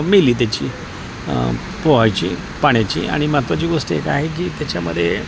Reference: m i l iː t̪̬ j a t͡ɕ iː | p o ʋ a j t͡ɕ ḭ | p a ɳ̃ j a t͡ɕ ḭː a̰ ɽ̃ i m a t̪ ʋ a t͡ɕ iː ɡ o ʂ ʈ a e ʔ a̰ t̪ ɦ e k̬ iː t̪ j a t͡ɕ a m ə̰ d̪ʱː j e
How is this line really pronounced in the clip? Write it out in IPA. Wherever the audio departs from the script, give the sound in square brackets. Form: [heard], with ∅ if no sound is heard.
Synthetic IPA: m i l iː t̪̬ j a t͡ɕ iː | p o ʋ a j t͡ɕ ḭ | p a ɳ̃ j a t͡ɕ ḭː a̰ ɽ̃ i m a t̪ ʋ a t͡ɕ iː ɡ o ʂ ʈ [i] e [k] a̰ [∅] ɦ e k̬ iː t̪ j a t͡ɕ a m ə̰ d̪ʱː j e